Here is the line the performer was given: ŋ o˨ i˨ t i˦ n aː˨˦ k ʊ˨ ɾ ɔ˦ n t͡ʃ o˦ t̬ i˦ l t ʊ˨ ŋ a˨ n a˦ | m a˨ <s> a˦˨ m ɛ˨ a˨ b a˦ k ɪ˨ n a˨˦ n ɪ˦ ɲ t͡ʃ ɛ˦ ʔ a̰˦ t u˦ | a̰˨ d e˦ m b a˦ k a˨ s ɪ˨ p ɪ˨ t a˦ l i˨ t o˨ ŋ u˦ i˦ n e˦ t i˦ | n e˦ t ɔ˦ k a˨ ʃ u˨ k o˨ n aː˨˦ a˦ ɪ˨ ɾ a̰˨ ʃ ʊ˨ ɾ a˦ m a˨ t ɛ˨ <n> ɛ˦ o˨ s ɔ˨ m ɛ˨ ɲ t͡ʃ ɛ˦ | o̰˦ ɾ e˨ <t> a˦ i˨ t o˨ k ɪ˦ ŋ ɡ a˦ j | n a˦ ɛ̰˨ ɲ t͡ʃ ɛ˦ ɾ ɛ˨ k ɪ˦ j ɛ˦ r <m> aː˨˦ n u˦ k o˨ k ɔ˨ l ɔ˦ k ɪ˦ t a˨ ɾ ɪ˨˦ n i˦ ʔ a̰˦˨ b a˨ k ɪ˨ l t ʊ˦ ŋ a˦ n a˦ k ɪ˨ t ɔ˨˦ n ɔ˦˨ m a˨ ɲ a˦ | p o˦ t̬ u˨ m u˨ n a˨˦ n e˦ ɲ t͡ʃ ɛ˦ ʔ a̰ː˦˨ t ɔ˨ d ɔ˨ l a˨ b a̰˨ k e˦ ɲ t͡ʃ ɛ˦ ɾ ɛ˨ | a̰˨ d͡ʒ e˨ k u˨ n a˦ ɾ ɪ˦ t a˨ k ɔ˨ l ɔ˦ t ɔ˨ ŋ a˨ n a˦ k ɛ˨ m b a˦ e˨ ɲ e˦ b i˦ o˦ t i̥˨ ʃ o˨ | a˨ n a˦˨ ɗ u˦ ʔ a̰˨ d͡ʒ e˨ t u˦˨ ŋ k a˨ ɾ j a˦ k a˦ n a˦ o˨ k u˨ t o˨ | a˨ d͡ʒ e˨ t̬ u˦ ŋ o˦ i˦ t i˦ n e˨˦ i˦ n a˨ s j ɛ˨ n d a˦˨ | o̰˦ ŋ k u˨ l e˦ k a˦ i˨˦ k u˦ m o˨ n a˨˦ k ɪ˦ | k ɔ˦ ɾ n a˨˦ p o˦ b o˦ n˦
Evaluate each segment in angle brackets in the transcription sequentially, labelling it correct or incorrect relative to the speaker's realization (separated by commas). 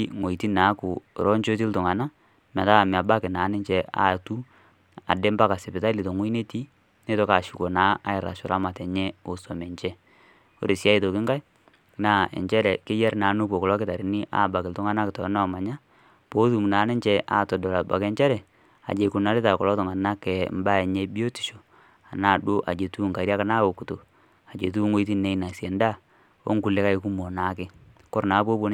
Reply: incorrect, incorrect, incorrect, incorrect